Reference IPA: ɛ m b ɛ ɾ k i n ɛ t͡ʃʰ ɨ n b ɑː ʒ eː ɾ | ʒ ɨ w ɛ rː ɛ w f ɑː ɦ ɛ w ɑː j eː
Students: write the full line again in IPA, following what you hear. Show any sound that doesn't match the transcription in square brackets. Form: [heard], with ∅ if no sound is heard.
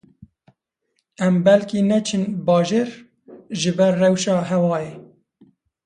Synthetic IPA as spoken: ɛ m b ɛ [l] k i n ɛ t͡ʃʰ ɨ n b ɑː ʒ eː ɾ | ʒ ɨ [b] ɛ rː ɛ w [ʃ] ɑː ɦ ɛ w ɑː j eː